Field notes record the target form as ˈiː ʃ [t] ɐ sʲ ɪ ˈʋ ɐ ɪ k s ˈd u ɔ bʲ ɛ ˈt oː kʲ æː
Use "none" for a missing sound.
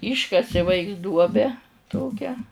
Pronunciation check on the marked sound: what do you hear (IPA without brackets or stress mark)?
k